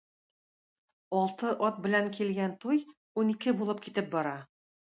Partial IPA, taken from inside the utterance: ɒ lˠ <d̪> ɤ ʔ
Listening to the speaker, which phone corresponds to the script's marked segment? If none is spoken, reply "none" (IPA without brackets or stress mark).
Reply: t̪